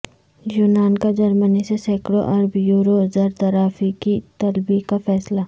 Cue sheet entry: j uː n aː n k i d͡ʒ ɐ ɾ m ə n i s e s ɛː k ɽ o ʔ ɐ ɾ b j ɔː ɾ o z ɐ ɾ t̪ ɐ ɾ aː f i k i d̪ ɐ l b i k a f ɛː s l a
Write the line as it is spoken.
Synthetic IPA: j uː n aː n k a d͡ʒ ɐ ɾ m ə n i s e s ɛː k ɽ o ʔ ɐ ɾ b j uː ɾ o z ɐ ɾ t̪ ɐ ɾ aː f i k i t̪ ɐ l b i k a f ɛː s l a